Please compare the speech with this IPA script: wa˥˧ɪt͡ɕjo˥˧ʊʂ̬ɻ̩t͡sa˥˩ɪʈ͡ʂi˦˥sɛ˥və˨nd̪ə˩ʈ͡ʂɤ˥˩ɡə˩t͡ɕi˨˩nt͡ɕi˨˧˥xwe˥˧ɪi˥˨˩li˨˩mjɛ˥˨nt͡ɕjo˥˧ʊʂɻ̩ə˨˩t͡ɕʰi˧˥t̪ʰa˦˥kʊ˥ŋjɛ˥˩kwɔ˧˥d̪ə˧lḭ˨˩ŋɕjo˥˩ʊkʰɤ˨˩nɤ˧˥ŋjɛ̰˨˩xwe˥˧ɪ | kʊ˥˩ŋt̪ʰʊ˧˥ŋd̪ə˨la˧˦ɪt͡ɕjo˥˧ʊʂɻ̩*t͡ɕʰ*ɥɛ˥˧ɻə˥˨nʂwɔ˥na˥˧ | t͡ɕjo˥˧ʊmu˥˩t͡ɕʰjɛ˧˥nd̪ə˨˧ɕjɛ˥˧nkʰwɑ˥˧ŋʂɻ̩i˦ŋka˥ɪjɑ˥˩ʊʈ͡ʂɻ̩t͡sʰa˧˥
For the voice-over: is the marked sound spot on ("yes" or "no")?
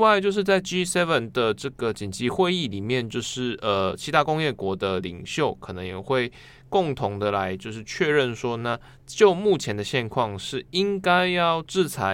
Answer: yes